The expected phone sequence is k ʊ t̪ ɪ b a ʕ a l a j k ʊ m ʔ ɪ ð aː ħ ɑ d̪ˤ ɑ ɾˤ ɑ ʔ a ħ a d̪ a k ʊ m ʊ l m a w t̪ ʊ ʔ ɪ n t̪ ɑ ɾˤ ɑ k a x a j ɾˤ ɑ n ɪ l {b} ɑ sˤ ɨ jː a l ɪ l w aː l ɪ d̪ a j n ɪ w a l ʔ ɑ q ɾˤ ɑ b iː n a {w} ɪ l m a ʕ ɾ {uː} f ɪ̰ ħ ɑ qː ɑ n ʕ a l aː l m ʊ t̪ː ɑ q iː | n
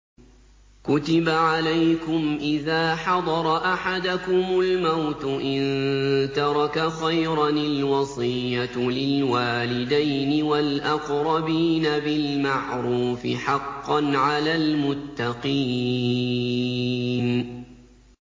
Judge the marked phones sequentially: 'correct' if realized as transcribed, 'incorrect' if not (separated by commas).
incorrect, incorrect, correct